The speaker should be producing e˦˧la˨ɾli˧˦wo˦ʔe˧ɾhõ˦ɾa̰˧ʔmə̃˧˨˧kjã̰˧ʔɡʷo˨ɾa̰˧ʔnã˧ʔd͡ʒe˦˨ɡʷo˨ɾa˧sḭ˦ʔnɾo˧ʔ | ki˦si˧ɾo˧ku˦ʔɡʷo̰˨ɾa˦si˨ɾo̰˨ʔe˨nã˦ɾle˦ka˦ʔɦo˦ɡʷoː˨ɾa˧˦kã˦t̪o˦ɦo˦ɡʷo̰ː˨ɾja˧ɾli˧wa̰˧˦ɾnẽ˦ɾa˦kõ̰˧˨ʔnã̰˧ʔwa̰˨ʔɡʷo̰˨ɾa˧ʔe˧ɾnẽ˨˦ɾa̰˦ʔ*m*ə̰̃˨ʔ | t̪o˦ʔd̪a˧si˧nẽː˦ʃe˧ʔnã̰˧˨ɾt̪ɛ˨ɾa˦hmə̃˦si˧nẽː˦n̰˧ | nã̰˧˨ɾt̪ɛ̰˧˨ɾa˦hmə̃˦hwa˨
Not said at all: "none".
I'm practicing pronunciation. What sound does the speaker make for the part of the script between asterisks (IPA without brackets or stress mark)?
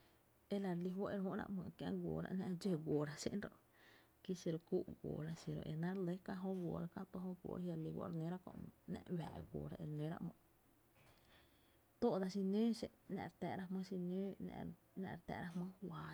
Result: m